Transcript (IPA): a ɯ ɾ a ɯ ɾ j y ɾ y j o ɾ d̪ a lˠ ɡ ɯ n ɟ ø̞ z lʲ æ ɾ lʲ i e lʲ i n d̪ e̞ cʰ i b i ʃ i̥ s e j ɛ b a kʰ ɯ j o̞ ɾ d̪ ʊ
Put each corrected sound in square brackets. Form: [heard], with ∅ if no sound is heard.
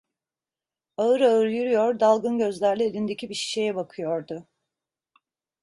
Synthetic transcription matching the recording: a ɯ ɾ a ɯ ɾ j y ɾ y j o ɾ d̪ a lˠ ɡ ɯ n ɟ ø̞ z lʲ æ ɾ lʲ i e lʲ i n d̪ e̞ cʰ i b i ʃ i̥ [ʃ] e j ɛ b a kʰ ɯ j o̞ ɾ d̪ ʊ